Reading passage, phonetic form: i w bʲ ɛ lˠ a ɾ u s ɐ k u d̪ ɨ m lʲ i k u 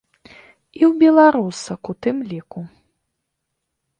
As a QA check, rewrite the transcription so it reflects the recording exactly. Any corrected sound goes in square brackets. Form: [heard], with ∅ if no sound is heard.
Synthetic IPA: i w bʲ ɛ lˠ a ɾ u s ɐ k u [t̪] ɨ m lʲ i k u